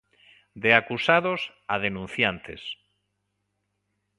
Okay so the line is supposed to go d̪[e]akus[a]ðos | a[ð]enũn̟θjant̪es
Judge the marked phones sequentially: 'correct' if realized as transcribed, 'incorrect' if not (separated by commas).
correct, correct, correct